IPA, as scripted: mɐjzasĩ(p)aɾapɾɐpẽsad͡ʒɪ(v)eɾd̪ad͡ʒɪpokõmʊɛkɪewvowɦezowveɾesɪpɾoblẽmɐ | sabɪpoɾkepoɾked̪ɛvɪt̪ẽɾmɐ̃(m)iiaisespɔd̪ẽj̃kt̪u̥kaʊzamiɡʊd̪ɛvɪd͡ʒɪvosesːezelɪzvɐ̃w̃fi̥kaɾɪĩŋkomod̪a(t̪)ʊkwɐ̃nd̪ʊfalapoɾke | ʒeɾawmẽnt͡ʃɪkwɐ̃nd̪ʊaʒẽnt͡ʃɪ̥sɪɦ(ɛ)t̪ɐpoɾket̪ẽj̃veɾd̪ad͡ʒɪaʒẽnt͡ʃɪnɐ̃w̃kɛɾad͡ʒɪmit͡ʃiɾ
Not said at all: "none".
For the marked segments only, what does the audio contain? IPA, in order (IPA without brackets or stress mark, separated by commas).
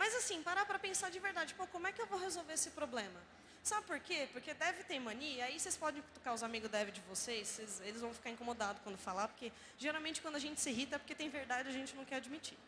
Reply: p, v, n, d̪, i